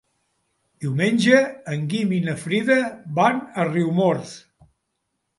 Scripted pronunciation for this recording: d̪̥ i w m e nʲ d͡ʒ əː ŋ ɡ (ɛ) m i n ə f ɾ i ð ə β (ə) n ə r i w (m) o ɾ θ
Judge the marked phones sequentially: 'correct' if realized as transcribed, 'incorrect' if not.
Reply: incorrect: i, incorrect: a, correct

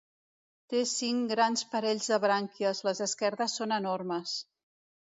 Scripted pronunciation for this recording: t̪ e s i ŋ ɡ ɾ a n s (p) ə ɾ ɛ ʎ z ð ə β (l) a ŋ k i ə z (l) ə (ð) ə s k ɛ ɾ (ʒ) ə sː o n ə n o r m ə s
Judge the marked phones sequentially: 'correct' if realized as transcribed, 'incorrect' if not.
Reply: correct, incorrect: ɾ, correct, incorrect: z, incorrect: ð

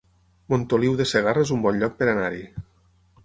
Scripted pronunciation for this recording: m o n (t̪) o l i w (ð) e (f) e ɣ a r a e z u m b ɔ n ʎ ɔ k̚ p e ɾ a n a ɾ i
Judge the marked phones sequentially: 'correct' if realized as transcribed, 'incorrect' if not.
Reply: correct, correct, incorrect: s

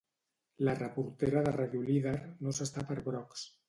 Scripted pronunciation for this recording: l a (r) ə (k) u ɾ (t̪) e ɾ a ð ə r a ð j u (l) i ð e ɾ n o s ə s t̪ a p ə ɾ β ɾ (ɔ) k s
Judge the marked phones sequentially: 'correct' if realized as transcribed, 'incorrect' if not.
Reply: correct, incorrect: p, correct, correct, correct

